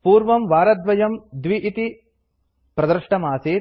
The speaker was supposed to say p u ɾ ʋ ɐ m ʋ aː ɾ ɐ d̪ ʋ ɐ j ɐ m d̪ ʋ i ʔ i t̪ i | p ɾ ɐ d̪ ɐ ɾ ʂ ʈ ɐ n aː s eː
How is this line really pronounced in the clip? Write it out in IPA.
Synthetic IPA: p uː ɾ ʋ ɐ m ʋ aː ɾ ɐ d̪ ʋ ɐ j ɐ m d̪ ʋ i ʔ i t̪ i | p ɾ ɐ d̪ ɐ ɾ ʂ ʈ ɐ m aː s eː